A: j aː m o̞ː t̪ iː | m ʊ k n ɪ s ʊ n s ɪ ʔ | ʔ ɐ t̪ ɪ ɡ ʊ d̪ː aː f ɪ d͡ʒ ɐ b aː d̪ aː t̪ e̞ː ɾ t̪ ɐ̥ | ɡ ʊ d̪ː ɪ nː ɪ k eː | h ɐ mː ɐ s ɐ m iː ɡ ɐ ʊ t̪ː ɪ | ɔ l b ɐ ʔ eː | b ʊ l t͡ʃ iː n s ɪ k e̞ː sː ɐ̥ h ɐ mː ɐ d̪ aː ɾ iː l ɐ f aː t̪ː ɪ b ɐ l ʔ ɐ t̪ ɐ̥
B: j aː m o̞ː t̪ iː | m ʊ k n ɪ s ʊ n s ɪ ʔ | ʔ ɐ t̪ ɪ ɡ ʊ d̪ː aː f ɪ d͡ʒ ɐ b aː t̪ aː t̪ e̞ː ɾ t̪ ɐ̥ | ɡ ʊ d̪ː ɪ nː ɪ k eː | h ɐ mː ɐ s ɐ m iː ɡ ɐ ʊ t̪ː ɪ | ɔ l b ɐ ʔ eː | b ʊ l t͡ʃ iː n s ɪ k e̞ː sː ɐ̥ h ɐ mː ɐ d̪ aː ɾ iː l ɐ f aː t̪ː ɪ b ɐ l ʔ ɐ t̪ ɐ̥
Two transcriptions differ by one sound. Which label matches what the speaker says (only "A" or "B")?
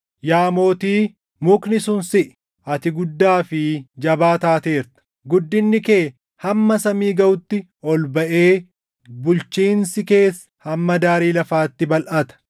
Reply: B